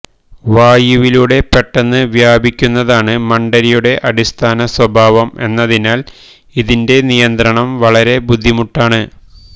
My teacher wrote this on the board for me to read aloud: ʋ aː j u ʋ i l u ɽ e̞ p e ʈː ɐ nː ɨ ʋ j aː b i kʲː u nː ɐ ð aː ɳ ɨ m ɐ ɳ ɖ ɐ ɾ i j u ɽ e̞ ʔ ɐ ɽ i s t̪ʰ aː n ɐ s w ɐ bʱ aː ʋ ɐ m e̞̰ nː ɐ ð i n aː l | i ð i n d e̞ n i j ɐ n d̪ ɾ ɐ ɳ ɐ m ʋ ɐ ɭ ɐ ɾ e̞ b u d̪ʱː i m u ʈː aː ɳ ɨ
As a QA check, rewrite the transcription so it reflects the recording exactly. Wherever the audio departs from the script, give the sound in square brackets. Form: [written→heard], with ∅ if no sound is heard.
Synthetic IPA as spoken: ʋ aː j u ʋ i l u ɽ e̞ p e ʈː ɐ nː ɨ ʋ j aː b i kʲː u nː ɐ ð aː ɳ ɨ m ɐ ɳ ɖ ɐ ɾ i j u ɽ e̞ ʔ ɐ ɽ i s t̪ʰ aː n ɐ s w ɐ bʱ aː ʋ ɐ m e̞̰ nː ɐ ð i n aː l | i ð i n d e̞ n i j ɐ n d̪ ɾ ɐ ɳ ɐ m ʋ ɐ ɭ ɐ ɾ e̞ b u d̪ʱː i m u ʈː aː ɳ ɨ

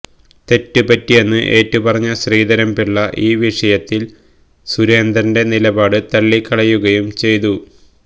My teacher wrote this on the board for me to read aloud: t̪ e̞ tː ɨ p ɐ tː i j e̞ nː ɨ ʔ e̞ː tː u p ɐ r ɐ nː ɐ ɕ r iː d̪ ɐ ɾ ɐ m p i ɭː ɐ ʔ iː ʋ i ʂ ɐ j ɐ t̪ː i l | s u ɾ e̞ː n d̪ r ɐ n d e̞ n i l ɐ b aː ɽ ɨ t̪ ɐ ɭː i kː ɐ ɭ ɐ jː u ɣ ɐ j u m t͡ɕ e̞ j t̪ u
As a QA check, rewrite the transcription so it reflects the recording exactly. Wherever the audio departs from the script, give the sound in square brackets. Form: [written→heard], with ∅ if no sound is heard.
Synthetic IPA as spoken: t̪ e̞ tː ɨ p ɐ tː i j e̞ nː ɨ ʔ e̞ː tː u p ɐ r ɐ [nː→ɲː] ɐ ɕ r iː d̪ ɐ ɾ ɐ m p i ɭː ɐ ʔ iː ʋ i ʂ ɐ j ɐ t̪ː i l | s u ɾ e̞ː n d̪ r ɐ n d e̞ n i l ɐ b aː ɽ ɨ t̪ ɐ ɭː i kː ɐ ɭ ɐ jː u ɣ ɐ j u m t͡ɕ e̞ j t̪ u

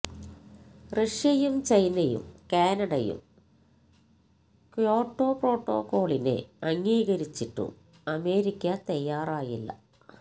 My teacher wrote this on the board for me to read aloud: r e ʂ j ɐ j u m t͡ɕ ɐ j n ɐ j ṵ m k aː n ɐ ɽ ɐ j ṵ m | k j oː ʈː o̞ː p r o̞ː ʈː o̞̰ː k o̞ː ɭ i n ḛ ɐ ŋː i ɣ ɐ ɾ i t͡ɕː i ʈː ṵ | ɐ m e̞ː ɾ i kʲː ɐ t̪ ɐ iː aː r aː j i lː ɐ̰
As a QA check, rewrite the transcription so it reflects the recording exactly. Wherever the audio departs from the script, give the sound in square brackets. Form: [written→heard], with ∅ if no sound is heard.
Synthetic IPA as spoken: r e ʂ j ɐ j u m t͡ɕ ɐ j n ɐ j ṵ m k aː n ɐ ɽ ɐ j ṵ m | k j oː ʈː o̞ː p r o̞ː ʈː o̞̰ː k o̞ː ɭ i n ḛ ɐ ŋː [i→iː] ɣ ɐ ɾ i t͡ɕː i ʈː ṵ | ɐ m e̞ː ɾ i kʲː ɐ t̪ ɐ [iː→jː] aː r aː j i lː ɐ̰

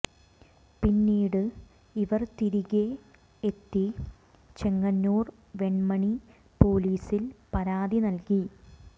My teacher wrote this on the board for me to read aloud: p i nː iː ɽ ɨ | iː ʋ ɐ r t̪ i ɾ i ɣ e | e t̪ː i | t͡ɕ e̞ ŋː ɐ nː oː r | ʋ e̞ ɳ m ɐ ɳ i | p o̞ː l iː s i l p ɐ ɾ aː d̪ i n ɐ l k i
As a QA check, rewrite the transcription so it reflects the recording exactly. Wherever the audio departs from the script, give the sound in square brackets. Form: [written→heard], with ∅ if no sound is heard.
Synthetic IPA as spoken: p i nː iː ɽ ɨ | [iː→i] ʋ ɐ r t̪ i ɾ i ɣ e | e t̪ː i | t͡ɕ e̞ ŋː ɐ nː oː r | ʋ e̞ ɳ m ɐ ɳ i | p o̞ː l iː s i l p ɐ ɾ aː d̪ i n ɐ l k i

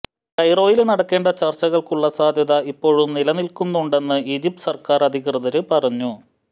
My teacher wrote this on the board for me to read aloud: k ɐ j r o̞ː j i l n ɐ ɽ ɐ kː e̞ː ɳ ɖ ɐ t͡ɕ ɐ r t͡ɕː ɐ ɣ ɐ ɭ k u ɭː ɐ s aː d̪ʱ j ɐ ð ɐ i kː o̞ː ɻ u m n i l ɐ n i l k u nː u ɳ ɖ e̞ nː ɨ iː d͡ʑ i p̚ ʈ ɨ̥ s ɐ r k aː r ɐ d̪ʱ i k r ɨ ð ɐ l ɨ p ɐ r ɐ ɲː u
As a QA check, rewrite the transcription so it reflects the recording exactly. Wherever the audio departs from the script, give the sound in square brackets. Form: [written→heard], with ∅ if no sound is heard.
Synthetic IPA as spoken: k ɐ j r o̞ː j i l n ɐ ɽ ɐ kː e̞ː ɳ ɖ ɐ t͡ɕ ɐ r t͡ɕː ɐ ɣ ɐ ɭ k u ɭː ɐ s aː d̪ʱ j ɐ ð ɐ i [kː→pː] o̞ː ɻ u m n i l ɐ n i l k u nː u ɳ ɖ e̞ nː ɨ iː d͡ʑ i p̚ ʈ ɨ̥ s ɐ r k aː r ɐ d̪ʱ i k r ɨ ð ɐ [l→ɾ] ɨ p ɐ r ɐ ɲː u

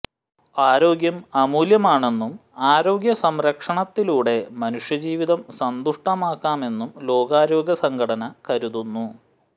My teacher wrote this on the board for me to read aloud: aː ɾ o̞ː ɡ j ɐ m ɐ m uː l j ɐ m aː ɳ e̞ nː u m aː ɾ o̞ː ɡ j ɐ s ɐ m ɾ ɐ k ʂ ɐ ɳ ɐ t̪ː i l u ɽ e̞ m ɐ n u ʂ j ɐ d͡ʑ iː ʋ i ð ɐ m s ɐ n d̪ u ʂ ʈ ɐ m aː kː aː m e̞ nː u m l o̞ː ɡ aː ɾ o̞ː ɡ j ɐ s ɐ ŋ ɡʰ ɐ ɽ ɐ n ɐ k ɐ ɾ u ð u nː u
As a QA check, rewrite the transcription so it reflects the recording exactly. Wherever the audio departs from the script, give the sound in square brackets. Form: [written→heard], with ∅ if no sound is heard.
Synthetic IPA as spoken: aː ɾ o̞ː ɡ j ɐ m ɐ m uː l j ɐ m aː ɳ e̞ nː u m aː ɾ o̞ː ɡ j ɐ s ɐ m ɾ ɐ k ʂ ɐ ɳ ɐ t̪ː i l [u→uː] ɽ e̞ m ɐ n u ʂ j ɐ d͡ʑ iː ʋ i ð ɐ m s ɐ n d̪ u ʂ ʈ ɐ m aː kː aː m e̞ nː u m l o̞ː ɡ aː ɾ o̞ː ɡ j ɐ s ɐ ŋ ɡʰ ɐ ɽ ɐ n ɐ k ɐ ɾ u ð u nː u

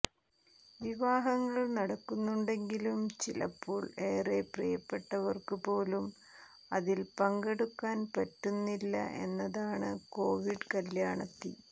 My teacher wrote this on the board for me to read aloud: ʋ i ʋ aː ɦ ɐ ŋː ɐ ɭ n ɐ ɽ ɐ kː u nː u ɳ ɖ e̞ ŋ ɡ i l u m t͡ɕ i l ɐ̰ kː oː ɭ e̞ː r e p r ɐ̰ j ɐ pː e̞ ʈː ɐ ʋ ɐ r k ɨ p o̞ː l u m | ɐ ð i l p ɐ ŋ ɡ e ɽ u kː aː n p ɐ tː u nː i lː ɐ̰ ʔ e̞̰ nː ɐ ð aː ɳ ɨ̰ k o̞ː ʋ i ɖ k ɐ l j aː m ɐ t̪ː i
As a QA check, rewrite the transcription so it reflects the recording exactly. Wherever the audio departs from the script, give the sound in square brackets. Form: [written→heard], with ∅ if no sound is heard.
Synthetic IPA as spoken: ʋ i ʋ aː ɦ ɐ ŋː ɐ ɭ n ɐ ɽ ɐ kː u nː u ɳ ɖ e̞ ŋ ɡ i l u m t͡ɕ i l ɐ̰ [kː→pː] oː ɭ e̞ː r e p r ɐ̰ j ɐ pː e̞ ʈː ɐ ʋ ɐ r k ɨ p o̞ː l u m | ɐ ð i l p ɐ ŋ ɡ e ɽ u kː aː n p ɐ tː u nː i lː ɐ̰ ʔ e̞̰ nː ɐ ð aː ɳ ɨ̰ k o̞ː ʋ i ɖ k ɐ l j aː [m→ɳ] ɐ t̪ː i

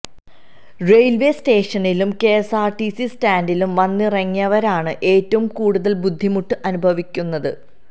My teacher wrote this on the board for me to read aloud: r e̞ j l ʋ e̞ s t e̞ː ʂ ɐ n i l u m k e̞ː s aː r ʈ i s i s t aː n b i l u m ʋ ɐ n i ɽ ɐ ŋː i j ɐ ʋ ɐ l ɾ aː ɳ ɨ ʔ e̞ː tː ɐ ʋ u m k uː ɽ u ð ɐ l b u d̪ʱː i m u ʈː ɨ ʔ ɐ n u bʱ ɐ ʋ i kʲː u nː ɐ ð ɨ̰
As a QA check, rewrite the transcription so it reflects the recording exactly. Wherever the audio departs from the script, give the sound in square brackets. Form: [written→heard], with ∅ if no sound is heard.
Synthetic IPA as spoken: r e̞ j l ʋ e̞ s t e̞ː ʂ ɐ n i l u m k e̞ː s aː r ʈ i s i s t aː n [b→d] i l u m ʋ ɐ [n→nː] i [ɽ→r] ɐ ŋː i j ɐ ʋ ɐ [l→∅] ɾ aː ɳ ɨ ʔ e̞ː tː ɐ ʋ u m k uː ɽ u ð ɐ l b u d̪ʱː i m u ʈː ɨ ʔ ɐ n u bʱ ɐ ʋ i kʲː u nː ɐ ð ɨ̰

